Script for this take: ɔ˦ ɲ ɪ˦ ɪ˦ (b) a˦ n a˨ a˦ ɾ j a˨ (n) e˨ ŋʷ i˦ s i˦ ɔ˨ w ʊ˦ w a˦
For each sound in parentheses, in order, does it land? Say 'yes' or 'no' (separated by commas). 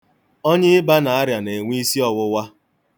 yes, yes